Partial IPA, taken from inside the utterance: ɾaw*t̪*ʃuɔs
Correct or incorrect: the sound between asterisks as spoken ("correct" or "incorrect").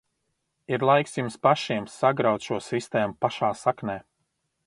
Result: correct